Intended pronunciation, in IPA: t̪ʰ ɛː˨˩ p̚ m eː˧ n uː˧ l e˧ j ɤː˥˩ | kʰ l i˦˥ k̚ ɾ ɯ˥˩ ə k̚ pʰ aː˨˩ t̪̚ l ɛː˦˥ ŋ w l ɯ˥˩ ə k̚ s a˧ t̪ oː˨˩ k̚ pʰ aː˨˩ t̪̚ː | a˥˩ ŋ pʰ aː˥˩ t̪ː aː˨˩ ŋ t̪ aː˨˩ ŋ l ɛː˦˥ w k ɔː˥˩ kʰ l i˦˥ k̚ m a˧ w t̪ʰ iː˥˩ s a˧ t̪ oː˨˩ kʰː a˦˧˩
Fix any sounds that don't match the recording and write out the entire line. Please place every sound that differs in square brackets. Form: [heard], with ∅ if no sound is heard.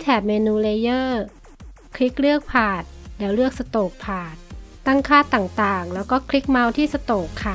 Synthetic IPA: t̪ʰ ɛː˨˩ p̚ m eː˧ n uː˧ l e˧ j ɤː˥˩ | kʰ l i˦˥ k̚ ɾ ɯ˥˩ ə k̚ pʰ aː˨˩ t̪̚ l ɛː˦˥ [∅] w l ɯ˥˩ ə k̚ s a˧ t̪ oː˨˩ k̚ pʰ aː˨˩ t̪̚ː | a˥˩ ŋ [kʰ] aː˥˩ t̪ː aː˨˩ ŋ t̪ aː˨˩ ŋ l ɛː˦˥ w k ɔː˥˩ kʰ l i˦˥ k̚ m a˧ w t̪ʰ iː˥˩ s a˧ t̪ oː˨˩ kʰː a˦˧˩